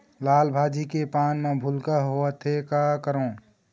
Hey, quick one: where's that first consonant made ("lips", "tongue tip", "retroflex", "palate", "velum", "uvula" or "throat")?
tongue tip